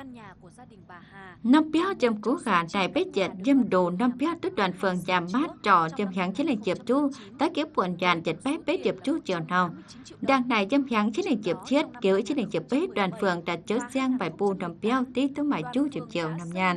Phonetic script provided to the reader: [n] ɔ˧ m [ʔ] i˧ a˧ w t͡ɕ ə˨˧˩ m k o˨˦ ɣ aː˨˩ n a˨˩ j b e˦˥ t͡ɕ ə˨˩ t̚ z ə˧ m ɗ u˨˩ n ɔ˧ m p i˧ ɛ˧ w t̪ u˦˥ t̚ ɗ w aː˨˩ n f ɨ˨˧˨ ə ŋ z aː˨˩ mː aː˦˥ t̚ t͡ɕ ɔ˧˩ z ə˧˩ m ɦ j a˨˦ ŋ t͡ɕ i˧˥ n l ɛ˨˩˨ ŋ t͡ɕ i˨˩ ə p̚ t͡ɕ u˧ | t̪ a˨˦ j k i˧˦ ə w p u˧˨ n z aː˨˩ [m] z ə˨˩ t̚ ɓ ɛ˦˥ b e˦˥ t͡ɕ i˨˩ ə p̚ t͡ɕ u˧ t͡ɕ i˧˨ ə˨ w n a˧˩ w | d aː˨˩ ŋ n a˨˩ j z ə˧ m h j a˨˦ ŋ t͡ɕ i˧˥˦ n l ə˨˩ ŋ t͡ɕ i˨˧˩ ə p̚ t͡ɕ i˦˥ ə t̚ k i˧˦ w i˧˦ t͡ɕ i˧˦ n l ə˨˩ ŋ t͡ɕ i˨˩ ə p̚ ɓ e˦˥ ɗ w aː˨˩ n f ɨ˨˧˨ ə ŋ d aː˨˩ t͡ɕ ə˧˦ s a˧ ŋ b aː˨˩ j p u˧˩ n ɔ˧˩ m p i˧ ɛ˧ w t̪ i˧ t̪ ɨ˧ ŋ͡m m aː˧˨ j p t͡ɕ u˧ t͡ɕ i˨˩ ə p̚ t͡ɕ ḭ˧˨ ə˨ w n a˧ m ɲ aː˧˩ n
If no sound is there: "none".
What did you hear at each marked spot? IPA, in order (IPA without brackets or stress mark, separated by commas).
n, p, n